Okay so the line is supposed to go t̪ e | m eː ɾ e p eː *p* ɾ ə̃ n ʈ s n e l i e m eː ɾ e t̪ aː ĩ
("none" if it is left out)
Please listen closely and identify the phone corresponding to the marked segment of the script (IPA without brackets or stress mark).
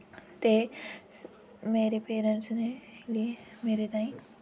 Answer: none